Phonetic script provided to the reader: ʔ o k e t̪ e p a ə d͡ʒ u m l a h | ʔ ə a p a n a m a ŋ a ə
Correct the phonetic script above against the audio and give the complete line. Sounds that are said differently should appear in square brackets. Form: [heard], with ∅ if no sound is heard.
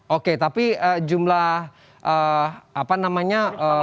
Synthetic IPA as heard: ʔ o k e t̪ [a] p [i] ə d͡ʒ u m l a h | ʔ ə a p a n a m a [ɲ] a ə

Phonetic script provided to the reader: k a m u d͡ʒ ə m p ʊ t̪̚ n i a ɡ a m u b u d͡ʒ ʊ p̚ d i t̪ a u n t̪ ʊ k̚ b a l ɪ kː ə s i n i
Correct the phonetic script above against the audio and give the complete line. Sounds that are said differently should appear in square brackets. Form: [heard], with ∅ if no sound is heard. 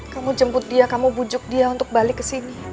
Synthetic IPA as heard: k a m u d͡ʒ ə m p ʊ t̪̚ [d] i a [k] a m u b u d͡ʒ ʊ [k̚] d i [∅] a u n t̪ ʊ k̚ b a l ɪ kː ə s i n i

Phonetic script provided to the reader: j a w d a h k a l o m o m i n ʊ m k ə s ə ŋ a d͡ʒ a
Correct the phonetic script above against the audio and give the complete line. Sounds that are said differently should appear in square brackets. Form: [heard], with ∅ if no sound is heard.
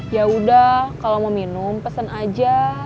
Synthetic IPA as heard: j a [u] d a h k a l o m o m i n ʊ m [p] ə s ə [n] a d͡ʒ a

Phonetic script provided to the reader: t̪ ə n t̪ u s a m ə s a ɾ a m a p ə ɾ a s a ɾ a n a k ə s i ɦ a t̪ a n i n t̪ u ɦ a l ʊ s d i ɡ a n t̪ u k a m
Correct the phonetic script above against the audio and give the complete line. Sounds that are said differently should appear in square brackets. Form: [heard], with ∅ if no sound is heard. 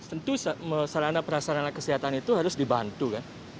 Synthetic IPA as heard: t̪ ə n t̪ u s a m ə s a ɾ a [n] a p ə ɾ a s a ɾ a n a k ə s i ɦ a t̪ a n i [∅] t̪ u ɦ a [ɾ] ʊ s d i [b] a n t̪ u k a [n]

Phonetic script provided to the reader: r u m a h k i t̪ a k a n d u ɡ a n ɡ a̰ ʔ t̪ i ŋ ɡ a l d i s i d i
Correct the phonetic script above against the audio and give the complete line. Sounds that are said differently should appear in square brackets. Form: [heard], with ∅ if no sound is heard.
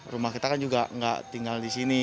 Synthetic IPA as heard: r u m a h k i t̪ a k a n [d͡ʒ] u ɡ a [ŋ] ɡ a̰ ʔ t̪ i ŋ ɡ a l d i s i [n] i

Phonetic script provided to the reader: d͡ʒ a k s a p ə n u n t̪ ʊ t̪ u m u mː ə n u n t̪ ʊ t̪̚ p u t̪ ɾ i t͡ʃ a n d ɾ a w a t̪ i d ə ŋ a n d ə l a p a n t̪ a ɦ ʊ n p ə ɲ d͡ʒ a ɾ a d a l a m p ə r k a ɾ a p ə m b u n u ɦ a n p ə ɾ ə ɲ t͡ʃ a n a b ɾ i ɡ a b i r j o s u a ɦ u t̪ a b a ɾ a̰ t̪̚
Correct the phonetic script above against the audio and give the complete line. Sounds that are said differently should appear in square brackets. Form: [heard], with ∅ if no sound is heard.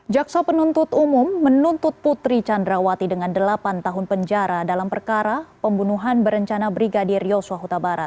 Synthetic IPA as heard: d͡ʒ a k s a p ə n u n t̪ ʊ t̪ u m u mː ə n u n t̪ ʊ t̪̚ p u t̪ ɾ i t͡ʃ a n d ɾ a w a t̪ i d ə ŋ a n d ə l a p a n t̪ a ɦ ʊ n p ə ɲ d͡ʒ a ɾ a d a l a m p ə r k a ɾ a p ə m b u n u ɦ a n [b] ə ɾ ə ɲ t͡ʃ a n a b ɾ i ɡ a [d] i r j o s u a ɦ u t̪ a b a ɾ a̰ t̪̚

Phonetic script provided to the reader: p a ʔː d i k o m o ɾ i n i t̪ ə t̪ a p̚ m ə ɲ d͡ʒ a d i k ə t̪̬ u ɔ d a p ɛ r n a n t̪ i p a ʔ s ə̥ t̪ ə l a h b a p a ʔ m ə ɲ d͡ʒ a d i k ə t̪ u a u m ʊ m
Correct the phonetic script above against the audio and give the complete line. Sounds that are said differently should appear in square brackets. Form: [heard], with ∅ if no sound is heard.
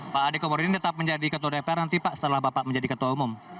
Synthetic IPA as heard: p a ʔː d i k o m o ɾ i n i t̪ ə t̪ a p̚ m ə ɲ d͡ʒ a d i k ə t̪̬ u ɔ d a p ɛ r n a n t̪ i p a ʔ s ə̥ t̪ ə l a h b a p a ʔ m ə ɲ d͡ʒ a d i k ə t̪ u a u m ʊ m

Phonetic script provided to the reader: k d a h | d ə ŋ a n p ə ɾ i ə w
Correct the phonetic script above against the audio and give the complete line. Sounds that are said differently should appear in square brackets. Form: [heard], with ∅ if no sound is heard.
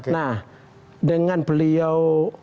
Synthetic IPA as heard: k [n] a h | d ə ŋ a n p ə [l] i [a] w

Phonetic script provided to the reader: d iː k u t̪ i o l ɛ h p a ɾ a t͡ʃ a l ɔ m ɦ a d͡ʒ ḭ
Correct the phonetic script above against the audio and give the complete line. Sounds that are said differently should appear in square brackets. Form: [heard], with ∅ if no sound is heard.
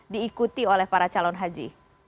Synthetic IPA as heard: d iː k u t̪ i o l ɛ h p a ɾ a t͡ʃ a l ɔ [n] ɦ a d͡ʒ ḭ

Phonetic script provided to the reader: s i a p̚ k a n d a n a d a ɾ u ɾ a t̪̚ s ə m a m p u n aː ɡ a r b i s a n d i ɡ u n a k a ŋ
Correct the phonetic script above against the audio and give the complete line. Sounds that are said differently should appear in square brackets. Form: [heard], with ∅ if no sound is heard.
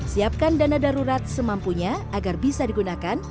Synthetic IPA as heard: s i a p̚ k a n d a n a d a ɾ u ɾ a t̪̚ s ə m a m p u [ɲ] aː ɡ a r b i s a [∅] d i ɡ u n a k a [n]

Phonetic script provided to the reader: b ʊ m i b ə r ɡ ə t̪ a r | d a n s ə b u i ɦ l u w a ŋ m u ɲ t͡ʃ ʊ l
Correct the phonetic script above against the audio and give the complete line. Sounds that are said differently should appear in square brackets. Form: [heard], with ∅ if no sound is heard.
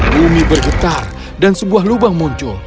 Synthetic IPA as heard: b [u] m i b ə r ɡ ə t̪ a r | d a n s ə b u [a] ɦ l u [b] a ŋ m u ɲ t͡ʃ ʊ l

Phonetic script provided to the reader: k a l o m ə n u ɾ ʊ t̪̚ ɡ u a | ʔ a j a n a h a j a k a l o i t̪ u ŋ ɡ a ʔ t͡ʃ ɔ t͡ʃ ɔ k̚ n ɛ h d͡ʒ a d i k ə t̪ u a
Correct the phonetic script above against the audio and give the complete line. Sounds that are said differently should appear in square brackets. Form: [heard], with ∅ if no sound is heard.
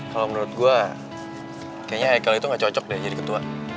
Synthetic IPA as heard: k a l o m ə n u ɾ ʊ t̪̚ ɡ u a | [k] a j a [ɲ] a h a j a k a l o i t̪ u ŋ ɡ a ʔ t͡ʃ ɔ t͡ʃ ɔ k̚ [d] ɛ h d͡ʒ a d i k ə t̪ u a

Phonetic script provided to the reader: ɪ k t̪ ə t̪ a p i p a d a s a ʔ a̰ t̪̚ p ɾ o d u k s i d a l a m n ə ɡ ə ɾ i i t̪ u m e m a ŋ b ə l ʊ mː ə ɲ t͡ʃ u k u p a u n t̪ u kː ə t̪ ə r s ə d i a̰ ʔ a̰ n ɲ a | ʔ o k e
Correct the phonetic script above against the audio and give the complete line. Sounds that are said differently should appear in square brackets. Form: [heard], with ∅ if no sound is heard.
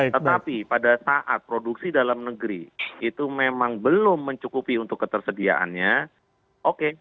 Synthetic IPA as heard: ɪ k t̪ ə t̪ a p i p a d a s a ʔ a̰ t̪̚ p ɾ o d u k s i d a l a m n ə ɡ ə ɾ i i t̪ u m e m a ŋ b ə l ʊ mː ə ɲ t͡ʃ u k u p [i] u n t̪ [ʊ] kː ə t̪ ə r s ə d i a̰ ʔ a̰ n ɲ a | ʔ o k e

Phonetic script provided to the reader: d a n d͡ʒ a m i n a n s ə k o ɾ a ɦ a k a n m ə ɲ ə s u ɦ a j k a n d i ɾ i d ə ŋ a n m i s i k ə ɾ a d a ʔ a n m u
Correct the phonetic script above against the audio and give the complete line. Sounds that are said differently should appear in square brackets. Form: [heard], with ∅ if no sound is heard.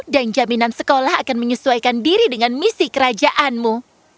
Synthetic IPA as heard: d a n d͡ʒ a m i n a n s ə k o [l] a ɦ a k a n m ə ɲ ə s u [∅] a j k a n d i ɾ i d ə ŋ a n m i s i k ə ɾ a [d͡ʒ] a ʔ a n m u

